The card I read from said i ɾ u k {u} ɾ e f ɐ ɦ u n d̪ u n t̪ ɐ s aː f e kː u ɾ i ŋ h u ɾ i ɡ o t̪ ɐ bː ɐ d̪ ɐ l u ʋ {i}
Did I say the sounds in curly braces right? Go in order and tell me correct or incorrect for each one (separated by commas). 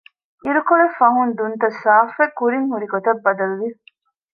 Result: incorrect, correct